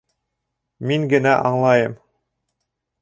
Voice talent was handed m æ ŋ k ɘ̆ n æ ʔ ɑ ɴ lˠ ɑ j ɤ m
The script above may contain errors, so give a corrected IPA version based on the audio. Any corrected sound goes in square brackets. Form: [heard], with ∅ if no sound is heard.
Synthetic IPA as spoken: m [i] ŋ [ɡ] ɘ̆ n æ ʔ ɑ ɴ lˠ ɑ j ɤ m